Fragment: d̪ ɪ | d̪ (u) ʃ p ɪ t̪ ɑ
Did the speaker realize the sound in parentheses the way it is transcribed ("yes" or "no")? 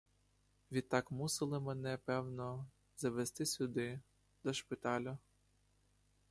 no